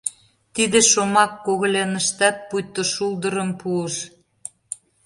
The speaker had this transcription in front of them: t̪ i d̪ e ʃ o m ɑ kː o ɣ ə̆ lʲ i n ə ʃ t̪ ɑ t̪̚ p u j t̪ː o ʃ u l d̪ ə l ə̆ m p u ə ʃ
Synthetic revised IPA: t̪ i d̪ e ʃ o m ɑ kː o ɣ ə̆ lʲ e n ə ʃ t̪ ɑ t̪̚ p u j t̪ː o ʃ u l d̪ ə ɾ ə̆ m p u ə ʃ